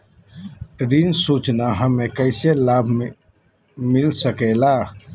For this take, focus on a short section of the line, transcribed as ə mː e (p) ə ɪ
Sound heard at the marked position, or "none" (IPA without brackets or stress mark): k